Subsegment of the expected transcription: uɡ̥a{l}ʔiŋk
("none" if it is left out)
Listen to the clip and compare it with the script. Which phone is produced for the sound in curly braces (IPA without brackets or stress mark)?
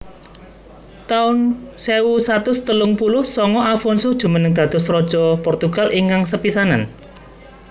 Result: l